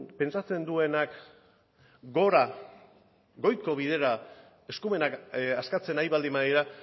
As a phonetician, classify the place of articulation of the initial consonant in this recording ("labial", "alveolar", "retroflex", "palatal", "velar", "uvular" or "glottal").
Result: labial